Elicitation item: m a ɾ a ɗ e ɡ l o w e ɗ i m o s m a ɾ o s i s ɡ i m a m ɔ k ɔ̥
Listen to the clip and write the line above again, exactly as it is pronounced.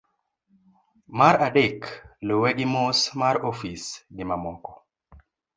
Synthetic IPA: m a ɾ a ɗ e k l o w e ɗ i m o s m a ɾ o f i s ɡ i m a m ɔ k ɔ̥